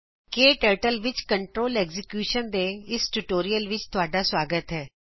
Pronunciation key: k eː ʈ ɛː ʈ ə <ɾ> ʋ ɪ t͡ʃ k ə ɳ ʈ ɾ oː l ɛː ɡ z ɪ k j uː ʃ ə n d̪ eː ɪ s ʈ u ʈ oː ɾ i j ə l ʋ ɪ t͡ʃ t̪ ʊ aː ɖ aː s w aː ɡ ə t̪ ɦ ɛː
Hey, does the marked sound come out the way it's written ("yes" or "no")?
no